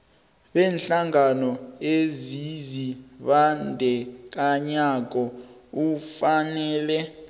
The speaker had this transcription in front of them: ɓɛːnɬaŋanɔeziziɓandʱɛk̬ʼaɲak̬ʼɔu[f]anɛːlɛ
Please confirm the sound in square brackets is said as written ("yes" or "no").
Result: yes